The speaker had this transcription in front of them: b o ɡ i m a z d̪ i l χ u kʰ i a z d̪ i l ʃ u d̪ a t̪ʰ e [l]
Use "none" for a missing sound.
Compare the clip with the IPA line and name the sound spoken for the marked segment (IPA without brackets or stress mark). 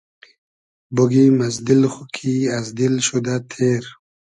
ɾ